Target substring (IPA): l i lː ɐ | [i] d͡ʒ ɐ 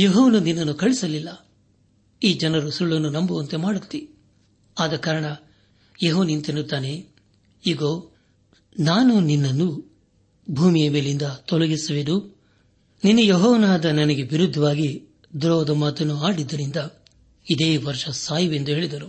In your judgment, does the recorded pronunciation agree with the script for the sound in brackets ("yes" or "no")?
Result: no